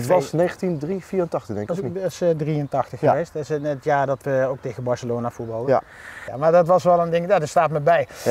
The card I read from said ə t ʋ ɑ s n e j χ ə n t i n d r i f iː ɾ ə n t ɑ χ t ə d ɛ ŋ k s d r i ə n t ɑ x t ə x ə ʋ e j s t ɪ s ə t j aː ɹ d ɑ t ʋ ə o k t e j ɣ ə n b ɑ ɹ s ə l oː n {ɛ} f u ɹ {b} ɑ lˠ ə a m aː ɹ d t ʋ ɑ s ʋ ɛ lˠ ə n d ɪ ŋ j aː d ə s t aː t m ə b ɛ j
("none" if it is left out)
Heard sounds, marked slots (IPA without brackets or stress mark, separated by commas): a, b